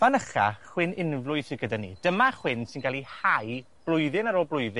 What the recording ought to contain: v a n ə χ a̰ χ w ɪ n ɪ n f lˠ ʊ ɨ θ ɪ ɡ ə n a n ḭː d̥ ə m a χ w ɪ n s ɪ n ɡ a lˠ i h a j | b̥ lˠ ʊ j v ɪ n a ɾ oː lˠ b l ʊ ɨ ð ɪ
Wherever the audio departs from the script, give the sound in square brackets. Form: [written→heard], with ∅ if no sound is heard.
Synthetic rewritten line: v a n ə χ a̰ χ w ɪ n ɪ n [f→v] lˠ ʊ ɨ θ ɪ ɡ ə [n→d] a n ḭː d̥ ə m a χ w ɪ n s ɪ n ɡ a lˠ i h a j | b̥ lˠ ʊ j [v→ð] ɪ n a ɾ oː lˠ b l ʊ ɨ ð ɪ